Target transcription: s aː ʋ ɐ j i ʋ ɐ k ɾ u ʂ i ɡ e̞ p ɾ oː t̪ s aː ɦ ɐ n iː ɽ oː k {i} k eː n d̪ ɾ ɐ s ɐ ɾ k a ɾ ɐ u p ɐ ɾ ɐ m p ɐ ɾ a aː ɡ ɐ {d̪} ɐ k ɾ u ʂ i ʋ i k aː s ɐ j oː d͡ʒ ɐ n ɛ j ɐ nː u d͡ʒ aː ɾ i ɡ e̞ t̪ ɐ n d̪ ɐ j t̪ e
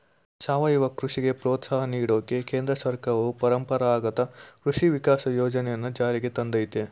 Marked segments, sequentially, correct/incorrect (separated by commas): incorrect, incorrect